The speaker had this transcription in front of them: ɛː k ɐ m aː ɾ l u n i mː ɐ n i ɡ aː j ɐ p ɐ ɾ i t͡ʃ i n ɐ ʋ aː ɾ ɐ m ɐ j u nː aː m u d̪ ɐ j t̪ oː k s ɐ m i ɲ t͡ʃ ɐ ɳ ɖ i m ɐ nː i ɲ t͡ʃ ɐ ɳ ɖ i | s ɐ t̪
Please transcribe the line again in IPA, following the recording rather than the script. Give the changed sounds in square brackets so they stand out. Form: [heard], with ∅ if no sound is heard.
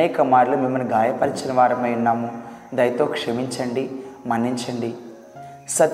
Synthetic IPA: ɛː k ɐ m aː ɾ l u [m] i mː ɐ n i ɡ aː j ɐ p ɐ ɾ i t͡ʃ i n ɐ ʋ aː ɾ ɐ m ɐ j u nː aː m u d̪ ɐ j t̪ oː k [ʂ] ɐ m i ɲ t͡ʃ ɐ ɳ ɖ i m ɐ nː i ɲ t͡ʃ ɐ ɳ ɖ i | s ɐ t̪